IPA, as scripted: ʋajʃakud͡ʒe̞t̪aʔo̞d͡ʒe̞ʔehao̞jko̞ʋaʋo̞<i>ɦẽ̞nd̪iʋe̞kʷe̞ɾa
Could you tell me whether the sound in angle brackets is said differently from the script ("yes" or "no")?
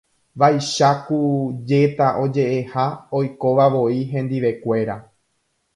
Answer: no